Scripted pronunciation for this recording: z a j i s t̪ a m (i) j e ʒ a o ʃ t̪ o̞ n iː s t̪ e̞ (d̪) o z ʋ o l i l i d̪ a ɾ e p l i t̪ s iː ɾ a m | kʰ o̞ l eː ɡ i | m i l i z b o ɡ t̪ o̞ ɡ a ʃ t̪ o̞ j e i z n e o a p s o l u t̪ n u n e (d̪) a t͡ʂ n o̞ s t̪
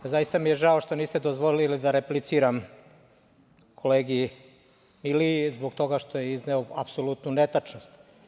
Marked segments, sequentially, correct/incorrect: correct, correct, incorrect

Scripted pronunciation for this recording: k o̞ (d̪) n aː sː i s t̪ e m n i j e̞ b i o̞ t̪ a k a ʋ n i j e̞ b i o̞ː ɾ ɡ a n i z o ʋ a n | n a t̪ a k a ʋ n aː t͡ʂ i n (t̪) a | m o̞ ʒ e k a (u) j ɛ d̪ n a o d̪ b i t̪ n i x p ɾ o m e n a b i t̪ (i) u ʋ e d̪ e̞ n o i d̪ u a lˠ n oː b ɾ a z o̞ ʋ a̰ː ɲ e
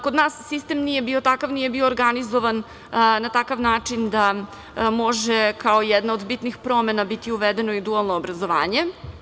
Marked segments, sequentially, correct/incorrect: correct, incorrect, incorrect, correct

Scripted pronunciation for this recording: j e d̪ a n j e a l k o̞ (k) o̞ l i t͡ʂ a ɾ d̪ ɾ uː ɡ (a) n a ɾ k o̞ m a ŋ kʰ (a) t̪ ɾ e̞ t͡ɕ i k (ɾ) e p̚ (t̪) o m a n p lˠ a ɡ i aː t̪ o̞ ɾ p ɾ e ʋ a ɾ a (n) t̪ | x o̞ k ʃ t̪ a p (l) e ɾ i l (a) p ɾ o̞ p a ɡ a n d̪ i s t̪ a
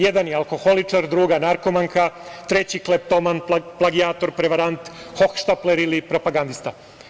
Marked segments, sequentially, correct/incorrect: incorrect, correct, correct, incorrect, correct, correct, correct, incorrect

